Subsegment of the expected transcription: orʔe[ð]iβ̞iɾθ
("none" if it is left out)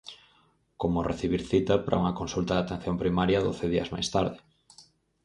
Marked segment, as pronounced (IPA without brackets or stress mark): θ